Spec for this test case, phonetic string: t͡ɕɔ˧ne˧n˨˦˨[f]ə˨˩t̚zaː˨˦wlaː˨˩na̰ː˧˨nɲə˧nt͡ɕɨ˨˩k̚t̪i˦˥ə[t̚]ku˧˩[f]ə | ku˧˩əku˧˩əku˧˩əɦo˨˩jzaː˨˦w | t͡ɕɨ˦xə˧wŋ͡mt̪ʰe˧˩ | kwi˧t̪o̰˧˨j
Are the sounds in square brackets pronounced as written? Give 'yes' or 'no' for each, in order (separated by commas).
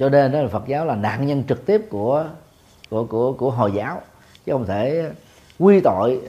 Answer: yes, no, no